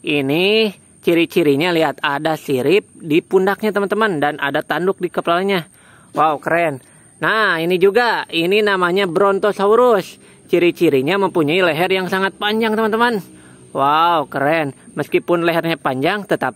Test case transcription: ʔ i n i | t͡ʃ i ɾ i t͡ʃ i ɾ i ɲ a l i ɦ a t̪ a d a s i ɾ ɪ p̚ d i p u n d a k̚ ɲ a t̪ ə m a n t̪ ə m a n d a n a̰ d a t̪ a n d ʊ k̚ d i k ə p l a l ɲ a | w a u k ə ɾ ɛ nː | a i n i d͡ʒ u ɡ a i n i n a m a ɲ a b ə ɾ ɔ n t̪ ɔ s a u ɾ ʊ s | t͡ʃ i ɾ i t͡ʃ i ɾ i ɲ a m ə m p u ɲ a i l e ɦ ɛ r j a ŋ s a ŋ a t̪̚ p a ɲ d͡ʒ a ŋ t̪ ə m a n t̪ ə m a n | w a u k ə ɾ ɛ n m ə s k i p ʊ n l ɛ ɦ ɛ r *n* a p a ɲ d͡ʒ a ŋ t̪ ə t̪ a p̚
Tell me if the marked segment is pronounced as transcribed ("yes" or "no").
no